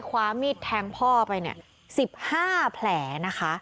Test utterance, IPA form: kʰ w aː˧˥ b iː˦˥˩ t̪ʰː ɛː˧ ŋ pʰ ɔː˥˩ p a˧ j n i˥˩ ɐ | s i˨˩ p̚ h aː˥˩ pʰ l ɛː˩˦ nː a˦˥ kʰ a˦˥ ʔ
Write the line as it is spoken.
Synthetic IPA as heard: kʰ w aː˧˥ m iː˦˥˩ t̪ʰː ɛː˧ ŋ pʰ ɔː˥˩ p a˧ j n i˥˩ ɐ | s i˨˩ p̚ h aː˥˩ pʰ l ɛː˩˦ n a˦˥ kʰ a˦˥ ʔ